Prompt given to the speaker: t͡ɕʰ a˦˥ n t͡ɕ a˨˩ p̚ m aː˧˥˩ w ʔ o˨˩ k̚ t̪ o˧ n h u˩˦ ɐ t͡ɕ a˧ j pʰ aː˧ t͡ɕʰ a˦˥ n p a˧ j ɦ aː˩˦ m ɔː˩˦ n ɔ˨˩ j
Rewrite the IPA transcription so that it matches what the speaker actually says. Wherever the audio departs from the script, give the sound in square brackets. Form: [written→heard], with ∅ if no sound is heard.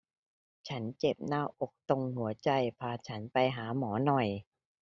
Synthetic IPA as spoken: t͡ɕʰ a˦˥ n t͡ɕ [a˨˩→e˨˩] p̚ [m→n] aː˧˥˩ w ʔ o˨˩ k̚ t̪ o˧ [n→ŋ] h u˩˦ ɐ t͡ɕ a˧ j pʰ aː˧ t͡ɕʰ a˦˥ n p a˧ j ɦ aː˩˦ m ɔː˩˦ n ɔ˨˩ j